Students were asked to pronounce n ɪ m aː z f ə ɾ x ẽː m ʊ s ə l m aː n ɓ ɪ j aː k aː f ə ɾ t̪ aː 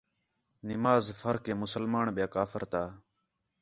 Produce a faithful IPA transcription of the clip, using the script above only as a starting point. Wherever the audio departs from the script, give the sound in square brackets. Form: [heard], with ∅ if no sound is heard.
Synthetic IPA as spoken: n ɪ m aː z f ə ɾ [k] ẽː m ʊ s ə l m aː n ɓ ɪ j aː k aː f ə ɾ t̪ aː